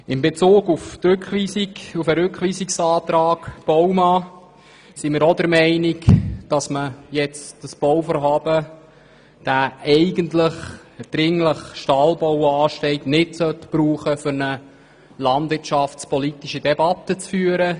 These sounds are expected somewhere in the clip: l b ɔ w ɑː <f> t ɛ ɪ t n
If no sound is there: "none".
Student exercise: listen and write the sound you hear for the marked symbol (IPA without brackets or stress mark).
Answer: ʃ